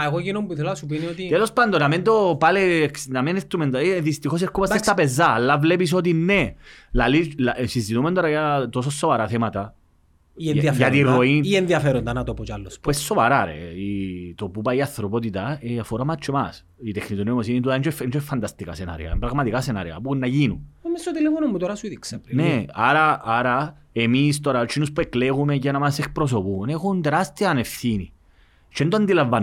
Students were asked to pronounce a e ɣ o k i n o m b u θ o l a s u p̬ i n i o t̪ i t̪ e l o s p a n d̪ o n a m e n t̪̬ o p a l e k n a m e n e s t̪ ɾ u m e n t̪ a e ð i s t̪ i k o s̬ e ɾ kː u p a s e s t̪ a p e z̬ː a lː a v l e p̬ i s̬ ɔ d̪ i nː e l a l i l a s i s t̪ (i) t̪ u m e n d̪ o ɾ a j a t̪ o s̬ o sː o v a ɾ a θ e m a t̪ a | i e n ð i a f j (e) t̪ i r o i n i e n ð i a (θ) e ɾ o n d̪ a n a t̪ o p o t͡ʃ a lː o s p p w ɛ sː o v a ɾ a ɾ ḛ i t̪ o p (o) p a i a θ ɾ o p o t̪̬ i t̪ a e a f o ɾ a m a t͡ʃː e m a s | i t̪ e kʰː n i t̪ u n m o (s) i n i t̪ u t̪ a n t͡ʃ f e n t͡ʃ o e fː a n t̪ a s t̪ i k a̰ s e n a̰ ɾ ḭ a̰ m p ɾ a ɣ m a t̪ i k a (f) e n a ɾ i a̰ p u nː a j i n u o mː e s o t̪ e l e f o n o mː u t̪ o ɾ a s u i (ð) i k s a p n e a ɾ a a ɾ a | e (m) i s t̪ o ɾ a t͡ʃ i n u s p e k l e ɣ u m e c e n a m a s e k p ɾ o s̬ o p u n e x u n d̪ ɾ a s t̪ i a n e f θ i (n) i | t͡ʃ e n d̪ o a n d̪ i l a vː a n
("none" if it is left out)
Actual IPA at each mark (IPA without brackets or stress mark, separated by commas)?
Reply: i, a, f, u, s, s, ð, m, n